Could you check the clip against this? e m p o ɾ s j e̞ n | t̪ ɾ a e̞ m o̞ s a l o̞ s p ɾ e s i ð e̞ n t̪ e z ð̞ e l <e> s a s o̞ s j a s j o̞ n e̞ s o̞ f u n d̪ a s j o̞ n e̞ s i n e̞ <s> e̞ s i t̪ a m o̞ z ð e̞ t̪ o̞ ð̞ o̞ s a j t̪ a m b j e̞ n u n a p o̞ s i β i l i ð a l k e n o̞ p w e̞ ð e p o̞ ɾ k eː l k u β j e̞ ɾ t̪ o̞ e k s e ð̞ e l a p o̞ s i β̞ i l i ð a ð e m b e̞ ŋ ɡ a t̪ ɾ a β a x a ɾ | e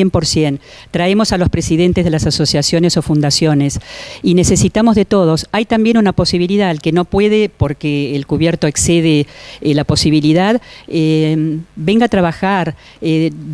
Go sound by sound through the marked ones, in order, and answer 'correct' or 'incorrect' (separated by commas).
incorrect, correct